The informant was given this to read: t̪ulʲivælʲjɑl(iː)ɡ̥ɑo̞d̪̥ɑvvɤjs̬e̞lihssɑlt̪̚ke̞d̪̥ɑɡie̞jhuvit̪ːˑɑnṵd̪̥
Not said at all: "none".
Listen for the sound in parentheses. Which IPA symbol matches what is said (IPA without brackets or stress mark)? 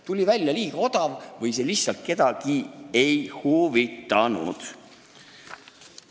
iː